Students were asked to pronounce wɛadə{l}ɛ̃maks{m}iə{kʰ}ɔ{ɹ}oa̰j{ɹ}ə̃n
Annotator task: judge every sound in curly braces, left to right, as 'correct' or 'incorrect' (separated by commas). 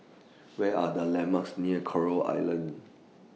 correct, incorrect, correct, correct, incorrect